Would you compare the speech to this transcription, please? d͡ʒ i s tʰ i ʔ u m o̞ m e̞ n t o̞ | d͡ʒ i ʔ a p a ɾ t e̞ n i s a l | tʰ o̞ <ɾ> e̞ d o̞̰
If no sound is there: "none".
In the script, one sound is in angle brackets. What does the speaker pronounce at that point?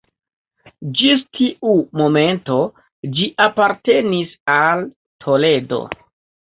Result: l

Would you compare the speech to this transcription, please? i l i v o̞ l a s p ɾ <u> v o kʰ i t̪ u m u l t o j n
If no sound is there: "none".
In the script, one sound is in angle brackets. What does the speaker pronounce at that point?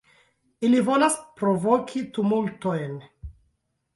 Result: o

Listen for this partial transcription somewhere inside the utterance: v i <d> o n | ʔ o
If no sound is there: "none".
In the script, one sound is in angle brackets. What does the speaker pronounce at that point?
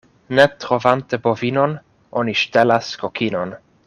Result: n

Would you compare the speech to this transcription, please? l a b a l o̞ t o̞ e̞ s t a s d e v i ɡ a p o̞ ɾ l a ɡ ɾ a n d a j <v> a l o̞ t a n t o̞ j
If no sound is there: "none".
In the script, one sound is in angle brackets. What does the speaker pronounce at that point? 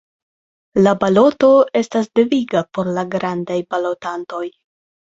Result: b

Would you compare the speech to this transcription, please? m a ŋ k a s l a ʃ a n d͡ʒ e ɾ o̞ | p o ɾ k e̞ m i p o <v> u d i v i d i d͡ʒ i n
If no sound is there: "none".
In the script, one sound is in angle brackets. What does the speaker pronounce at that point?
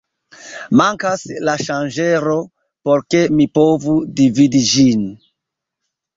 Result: v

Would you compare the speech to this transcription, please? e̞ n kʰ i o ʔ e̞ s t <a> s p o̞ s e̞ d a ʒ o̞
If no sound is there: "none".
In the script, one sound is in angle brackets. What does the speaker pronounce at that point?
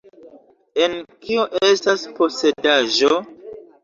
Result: a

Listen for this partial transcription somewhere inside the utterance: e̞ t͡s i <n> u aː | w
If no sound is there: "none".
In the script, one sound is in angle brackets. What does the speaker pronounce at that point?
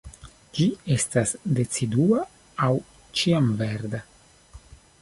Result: d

